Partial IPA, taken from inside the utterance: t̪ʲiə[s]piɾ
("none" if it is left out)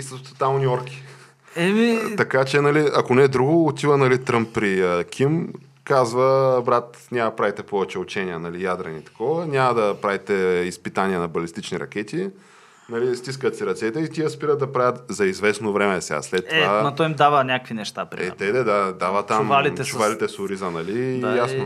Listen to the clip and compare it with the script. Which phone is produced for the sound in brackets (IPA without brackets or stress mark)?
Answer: s